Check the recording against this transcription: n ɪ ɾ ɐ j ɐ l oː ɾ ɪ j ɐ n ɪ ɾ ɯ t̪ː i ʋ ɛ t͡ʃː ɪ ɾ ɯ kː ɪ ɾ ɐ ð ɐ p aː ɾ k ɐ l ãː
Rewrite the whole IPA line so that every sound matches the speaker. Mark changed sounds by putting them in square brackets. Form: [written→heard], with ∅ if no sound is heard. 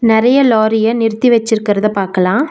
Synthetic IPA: n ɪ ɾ ɐ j ɐ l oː ɾ ɪ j ɐ n ɪ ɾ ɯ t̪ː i ʋ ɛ t͡ʃː ɪ ɾ ɯ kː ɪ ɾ ɐ ð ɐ p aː ɾ k ɐ l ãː

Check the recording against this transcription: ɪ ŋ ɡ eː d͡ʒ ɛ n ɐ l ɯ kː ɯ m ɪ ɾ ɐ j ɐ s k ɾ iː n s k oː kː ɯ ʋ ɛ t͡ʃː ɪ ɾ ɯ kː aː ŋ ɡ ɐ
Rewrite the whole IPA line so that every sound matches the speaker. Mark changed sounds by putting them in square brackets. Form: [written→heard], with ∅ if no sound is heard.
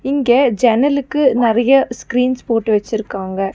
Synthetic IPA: ɪ ŋ ɡ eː d͡ʒ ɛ n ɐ l ɯ kː ɯ [m→n] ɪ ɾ ɐ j ɐ s k ɾ iː n s [k→p] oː [kː→ʈː] ɯ ʋ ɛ t͡ʃː ɪ ɾ ɯ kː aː ŋ ɡ ɐ

